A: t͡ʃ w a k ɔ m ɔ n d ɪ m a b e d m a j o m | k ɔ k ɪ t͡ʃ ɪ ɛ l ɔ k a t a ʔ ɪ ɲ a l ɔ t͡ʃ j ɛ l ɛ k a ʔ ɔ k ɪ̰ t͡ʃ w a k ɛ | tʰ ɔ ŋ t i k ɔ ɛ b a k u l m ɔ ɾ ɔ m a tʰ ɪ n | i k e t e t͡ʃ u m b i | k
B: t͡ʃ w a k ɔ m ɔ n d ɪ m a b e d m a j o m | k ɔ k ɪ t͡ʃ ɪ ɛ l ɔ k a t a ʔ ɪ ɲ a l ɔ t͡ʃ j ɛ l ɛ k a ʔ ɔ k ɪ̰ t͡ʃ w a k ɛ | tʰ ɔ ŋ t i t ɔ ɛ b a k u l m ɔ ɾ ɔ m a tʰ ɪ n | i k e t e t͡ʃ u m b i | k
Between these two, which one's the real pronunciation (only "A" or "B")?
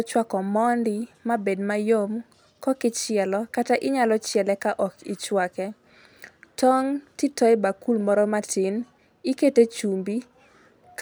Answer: B